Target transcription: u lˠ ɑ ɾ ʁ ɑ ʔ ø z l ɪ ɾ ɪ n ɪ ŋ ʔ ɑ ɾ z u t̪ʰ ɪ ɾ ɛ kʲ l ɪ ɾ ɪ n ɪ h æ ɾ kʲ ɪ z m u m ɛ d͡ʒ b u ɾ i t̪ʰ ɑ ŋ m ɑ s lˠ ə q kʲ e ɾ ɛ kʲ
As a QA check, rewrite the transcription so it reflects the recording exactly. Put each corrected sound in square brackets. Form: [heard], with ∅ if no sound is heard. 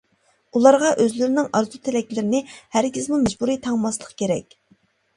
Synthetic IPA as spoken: u lˠ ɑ ɾ ʁ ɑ ʔ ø z l ɪ ɾ ɪ n ɪ ŋ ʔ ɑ ɾ z u t̪ʰ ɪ [l] ɛ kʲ l ɪ ɾ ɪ n ɪ h æ ɾ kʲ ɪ z m u m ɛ d͡ʒ b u ɾ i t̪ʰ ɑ ŋ m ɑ s lˠ ə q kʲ e ɾ ɛ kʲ